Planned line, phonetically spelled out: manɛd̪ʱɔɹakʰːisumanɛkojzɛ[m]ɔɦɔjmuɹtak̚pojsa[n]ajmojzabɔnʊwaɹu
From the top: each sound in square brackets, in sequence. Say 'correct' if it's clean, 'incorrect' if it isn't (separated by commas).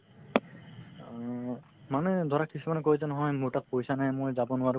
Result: incorrect, correct